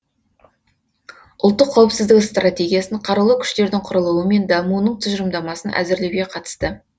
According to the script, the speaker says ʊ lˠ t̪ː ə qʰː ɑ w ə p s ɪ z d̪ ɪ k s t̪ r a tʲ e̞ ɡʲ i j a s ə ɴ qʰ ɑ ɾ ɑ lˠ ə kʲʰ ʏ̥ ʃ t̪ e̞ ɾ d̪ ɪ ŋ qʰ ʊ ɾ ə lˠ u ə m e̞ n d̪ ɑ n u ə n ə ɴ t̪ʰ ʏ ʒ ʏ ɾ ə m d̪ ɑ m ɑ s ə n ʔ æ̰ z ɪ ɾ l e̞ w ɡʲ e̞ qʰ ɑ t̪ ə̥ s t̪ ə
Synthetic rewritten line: ʊ lˠ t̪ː ə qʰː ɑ w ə p s ɪ z d̪ ɪ k s t̪ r a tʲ e̞ ɡʲ i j a s ə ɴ qʰ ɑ ɾ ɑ lˠ ə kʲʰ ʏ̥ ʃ t̪ e̞ ɾ d̪ ɪ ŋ qʰ ʊ ɾ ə lˠ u ə m e̞ n d̪ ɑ m u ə n ə ɴ t̪ʰ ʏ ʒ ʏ ɾ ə m d̪ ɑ m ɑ s ə n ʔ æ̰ z ɪ ɾ l e̞ w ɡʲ e̞ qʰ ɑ t̪ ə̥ s t̪ ə